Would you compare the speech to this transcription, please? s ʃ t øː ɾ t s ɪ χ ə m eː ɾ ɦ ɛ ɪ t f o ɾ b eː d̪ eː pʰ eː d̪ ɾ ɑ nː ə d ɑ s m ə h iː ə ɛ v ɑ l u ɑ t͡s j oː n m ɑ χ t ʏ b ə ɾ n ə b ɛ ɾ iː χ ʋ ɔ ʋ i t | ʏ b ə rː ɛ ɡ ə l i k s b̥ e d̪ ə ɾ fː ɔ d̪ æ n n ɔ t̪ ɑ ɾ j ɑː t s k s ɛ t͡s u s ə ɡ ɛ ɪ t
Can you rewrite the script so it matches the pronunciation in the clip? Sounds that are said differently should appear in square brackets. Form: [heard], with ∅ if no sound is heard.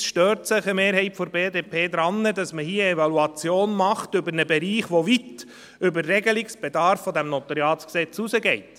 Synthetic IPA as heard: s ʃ t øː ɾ t s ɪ χ ə m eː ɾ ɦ ɛ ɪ t f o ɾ b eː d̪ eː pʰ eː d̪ ɾ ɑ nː ə d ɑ s m ə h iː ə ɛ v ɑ l u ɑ t͡s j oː n m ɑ χ t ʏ b ə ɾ n ə b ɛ ɾ iː χ ʋ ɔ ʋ i t | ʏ b ə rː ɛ ɡ ə l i k s b̥ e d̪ [ɑ] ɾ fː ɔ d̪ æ [m] n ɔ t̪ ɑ ɾ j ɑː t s k s ɛ t͡s u s ə ɡ ɛ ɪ t